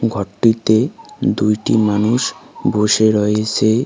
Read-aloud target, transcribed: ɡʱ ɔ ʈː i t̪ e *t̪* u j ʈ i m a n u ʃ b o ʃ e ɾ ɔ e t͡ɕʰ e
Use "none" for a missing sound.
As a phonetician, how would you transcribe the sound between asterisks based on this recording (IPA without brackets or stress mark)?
d̪